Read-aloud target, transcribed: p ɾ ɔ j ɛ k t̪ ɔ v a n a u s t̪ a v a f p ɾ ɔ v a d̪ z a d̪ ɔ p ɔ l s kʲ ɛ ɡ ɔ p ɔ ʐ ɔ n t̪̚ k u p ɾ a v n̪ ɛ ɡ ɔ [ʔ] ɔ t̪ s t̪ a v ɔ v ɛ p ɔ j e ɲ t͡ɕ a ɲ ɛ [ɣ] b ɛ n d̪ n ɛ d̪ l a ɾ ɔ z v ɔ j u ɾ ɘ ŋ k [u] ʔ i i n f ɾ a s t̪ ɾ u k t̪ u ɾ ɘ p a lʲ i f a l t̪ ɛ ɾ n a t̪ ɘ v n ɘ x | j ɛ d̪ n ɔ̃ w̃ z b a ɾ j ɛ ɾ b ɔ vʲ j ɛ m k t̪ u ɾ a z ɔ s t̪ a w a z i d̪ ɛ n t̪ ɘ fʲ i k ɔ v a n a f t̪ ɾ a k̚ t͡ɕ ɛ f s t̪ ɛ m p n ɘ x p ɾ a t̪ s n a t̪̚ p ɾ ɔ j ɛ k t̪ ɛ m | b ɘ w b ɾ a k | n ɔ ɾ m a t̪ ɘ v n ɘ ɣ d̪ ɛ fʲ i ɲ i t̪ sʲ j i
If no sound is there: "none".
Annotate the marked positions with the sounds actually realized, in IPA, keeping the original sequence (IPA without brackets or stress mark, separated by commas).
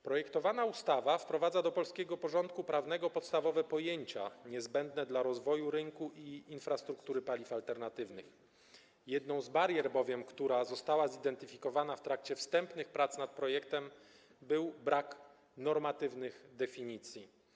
p, z, u